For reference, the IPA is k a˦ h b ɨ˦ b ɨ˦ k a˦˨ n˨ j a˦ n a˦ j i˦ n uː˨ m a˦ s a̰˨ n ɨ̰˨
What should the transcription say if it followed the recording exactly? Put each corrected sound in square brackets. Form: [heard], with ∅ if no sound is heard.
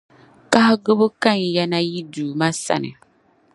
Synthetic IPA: k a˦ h [ɡ] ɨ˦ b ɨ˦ k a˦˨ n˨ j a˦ n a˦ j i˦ [d] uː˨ m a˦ s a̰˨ n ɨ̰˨